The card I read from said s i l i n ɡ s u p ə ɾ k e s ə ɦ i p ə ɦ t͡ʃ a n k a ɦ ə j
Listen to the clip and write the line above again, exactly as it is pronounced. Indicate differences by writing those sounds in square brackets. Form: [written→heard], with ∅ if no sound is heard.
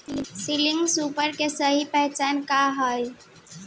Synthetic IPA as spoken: s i l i [n→ŋ] ɡ s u p ə ɾ k e s ə ɦ i p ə ɦ t͡ʃ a n k a ɦ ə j